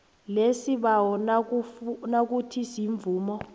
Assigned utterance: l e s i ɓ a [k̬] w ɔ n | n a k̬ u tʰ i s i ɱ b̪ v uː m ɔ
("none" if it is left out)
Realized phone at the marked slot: none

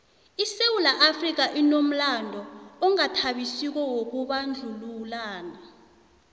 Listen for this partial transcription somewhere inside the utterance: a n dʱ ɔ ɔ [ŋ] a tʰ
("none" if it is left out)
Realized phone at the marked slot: ŋ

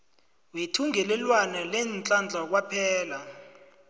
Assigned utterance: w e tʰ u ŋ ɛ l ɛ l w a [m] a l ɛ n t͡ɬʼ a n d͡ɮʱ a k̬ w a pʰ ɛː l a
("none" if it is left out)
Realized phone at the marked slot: n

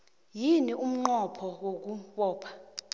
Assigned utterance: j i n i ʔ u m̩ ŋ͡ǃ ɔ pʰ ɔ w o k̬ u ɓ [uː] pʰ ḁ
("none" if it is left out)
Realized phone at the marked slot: ɔː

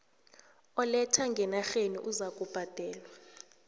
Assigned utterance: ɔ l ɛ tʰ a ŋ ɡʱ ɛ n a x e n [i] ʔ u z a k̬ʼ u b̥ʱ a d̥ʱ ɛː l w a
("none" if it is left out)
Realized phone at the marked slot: i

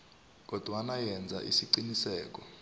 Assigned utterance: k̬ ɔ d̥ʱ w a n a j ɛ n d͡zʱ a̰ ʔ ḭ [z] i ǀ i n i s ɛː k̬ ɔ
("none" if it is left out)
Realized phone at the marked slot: s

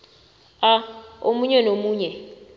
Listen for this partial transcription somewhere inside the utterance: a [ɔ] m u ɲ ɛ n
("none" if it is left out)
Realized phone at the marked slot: o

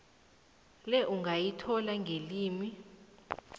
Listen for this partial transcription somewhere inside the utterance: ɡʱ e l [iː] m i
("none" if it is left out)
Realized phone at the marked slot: iː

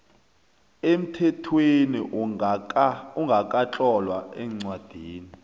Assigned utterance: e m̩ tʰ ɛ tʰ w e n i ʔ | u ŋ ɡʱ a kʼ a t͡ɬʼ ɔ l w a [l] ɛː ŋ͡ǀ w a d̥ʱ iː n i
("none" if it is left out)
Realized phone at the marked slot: none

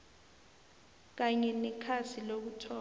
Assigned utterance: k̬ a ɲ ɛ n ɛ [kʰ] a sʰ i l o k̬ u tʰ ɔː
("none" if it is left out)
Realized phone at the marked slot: kʰ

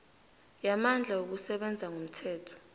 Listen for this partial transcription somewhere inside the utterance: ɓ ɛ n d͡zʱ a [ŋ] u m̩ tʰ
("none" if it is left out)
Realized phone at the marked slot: ŋ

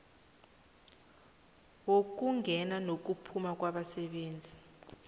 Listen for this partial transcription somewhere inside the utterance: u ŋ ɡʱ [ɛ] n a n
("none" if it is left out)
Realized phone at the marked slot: ɛ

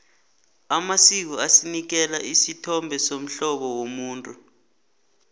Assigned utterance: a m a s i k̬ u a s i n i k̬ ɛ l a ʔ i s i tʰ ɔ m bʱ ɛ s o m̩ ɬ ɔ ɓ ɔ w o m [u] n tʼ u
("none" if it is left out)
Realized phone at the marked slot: uː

